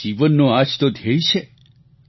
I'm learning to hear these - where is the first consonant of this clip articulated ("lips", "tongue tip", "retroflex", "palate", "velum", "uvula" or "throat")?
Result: lips